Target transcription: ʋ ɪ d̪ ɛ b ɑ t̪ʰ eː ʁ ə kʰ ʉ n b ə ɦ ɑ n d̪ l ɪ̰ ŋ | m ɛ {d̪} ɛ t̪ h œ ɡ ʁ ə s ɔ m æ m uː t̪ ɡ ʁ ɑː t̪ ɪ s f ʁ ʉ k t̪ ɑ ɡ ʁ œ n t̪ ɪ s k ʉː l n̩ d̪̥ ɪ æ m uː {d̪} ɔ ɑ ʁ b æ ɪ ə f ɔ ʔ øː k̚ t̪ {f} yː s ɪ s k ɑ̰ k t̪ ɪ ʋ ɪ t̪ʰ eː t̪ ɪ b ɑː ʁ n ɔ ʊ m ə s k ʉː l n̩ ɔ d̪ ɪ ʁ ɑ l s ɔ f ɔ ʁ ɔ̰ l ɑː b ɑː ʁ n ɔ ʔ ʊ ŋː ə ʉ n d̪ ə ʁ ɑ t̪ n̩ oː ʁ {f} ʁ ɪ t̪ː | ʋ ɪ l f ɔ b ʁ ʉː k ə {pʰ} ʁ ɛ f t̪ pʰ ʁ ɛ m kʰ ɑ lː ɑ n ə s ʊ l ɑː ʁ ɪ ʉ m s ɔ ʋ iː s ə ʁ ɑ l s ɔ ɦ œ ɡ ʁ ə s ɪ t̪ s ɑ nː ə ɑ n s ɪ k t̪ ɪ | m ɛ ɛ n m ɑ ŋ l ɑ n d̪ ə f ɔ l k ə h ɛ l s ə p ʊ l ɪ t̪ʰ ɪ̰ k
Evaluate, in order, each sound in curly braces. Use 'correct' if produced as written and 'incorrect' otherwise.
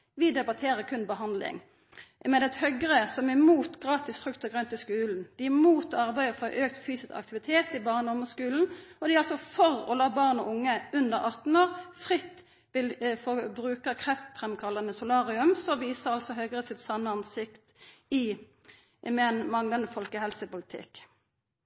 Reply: correct, incorrect, correct, correct, incorrect

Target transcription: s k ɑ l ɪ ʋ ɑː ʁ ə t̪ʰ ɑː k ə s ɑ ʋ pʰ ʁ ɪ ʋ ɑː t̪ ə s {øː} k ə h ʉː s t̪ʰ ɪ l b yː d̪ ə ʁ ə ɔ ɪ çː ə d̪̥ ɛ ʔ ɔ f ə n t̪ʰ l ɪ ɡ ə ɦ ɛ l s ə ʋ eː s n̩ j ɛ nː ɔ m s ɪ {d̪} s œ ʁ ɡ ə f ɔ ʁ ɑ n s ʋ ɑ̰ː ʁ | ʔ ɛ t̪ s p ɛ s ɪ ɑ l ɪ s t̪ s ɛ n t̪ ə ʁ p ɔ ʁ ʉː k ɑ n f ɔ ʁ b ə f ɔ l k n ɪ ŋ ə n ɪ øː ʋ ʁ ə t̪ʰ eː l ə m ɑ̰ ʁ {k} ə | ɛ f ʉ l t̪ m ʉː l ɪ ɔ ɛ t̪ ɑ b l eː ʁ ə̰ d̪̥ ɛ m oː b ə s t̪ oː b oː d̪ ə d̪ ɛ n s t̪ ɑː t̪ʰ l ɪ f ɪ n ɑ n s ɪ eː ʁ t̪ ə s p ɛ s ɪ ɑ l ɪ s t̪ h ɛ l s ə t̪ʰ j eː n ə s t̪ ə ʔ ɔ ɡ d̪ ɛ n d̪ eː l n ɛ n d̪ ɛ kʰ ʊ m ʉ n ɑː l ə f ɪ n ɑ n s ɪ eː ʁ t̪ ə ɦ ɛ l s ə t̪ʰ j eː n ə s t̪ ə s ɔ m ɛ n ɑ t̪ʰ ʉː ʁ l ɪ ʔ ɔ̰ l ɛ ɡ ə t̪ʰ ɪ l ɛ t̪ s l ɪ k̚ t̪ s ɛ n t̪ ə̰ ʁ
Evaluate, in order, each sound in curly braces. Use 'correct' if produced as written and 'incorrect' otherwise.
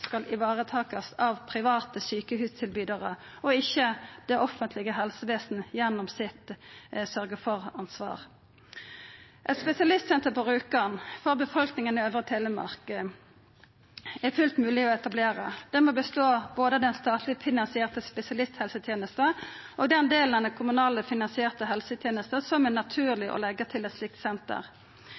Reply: incorrect, incorrect, correct

